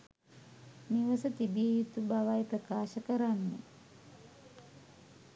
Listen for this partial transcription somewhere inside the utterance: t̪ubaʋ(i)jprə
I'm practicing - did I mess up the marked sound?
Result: yes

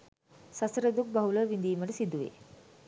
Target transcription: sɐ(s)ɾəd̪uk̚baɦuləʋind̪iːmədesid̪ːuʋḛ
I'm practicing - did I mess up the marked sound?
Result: no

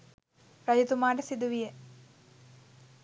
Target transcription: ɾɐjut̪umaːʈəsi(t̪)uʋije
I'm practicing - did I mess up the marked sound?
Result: yes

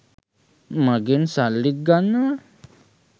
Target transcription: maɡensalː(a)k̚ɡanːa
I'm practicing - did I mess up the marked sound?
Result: yes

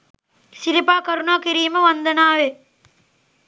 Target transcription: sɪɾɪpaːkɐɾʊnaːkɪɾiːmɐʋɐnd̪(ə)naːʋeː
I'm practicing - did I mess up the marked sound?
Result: yes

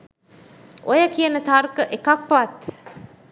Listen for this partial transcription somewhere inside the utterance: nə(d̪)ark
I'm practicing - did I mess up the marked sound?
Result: yes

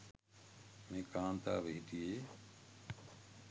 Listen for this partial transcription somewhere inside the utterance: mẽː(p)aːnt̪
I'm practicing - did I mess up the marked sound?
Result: yes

